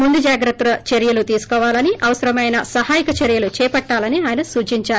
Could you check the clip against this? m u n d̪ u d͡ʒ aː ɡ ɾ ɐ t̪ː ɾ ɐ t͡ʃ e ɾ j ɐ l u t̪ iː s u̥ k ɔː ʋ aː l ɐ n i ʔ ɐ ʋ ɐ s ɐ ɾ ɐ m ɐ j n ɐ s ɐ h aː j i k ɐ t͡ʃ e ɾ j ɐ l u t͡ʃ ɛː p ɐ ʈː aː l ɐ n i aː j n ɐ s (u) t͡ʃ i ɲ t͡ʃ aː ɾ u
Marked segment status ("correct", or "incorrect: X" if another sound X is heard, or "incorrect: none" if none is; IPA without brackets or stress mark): incorrect: uː